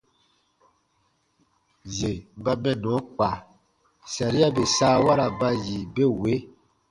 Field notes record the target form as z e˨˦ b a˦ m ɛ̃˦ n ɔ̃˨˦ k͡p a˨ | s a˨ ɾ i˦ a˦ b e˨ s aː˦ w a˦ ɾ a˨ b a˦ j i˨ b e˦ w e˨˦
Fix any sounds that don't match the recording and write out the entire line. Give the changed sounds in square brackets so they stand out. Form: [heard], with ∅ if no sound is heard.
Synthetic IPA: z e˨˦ b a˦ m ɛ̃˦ n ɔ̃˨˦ k͡p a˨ | s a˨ ɾ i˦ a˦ b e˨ s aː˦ w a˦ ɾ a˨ b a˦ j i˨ b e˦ w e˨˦